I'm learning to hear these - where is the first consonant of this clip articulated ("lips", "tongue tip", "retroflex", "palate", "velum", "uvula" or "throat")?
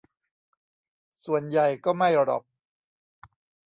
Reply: tongue tip